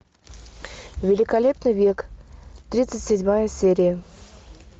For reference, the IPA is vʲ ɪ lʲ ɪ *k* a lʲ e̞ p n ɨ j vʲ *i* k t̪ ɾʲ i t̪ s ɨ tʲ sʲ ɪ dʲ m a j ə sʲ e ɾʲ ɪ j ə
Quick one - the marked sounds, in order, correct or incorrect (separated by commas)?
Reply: correct, incorrect